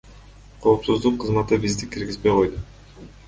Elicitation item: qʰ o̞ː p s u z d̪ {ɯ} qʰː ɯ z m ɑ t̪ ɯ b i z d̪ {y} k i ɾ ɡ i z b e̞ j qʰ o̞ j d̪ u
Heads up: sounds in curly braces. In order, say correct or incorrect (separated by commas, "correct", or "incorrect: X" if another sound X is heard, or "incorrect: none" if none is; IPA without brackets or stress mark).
incorrect: u, incorrect: i